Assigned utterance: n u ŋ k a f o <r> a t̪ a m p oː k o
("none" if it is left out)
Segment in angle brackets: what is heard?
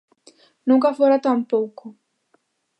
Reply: ɾ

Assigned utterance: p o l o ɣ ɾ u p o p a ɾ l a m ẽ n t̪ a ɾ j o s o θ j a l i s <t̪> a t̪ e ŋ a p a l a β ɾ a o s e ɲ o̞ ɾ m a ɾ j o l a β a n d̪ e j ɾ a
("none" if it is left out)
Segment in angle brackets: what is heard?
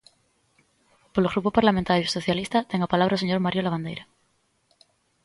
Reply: t̪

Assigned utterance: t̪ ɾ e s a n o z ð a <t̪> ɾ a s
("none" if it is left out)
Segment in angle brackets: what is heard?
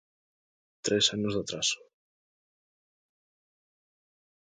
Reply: t̪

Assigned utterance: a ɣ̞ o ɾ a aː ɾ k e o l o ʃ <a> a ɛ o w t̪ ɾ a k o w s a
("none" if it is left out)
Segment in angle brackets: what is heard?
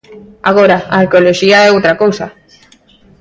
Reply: i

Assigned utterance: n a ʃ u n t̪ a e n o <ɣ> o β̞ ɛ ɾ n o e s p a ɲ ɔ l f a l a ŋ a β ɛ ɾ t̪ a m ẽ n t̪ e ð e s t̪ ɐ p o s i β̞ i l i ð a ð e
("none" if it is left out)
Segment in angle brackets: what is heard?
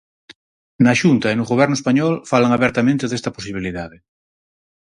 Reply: ɣ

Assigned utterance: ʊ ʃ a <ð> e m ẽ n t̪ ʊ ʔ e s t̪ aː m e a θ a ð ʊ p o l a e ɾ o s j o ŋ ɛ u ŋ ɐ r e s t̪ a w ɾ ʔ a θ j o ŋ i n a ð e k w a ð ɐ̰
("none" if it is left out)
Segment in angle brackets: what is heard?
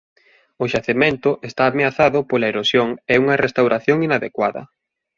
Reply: θ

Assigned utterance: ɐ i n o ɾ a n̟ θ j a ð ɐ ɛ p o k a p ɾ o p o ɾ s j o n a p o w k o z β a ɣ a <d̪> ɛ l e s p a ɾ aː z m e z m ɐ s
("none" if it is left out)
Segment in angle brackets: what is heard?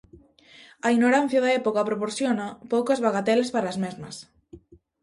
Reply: t̪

